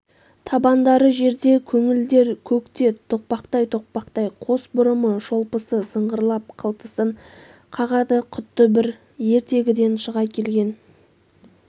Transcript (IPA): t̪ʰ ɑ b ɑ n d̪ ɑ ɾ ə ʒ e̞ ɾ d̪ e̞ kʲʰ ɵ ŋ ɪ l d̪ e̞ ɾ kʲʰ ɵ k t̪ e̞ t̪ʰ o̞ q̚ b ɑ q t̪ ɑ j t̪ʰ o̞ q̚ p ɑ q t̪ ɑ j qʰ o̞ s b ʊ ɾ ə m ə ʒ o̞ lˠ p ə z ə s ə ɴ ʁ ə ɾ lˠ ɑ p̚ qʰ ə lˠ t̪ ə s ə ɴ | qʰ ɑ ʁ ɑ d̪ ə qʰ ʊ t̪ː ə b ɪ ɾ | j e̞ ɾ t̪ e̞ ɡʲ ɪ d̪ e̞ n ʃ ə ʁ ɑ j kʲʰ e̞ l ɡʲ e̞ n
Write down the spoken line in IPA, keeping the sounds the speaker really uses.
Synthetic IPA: t̪ʰ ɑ b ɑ n d̪ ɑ ɾ ə ʒ e̞ ɾ d̪ e̞ kʲʰ ɵ ŋ ɪ l d̪ e̞ ɾ kʲʰ ɵ k t̪ e̞ t̪ʰ o̞ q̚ p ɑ q t̪ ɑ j t̪ʰ o̞ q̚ p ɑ q t̪ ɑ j qʰ o̞ s b ʊ ɾ ə m ə ʒ o̞ lˠ p ə s ə s ə ɴ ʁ ə ɾ lˠ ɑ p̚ qʰ ə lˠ t̪ ə s ə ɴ | qʰ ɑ ʁ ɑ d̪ ə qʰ ʊ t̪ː ə b ɪ ɾ | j e̞ ɾ t̪ e̞ ɡʲ ɪ d̪ e̞ n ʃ ə ʁ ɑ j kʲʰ e̞ l ɡʲ e̞ n